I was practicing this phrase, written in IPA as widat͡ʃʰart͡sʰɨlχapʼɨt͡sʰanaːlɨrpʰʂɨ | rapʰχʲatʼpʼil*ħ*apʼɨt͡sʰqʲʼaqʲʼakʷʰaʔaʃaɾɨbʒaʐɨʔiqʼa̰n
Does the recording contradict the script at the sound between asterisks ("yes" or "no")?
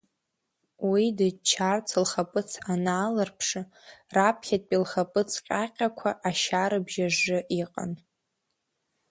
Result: yes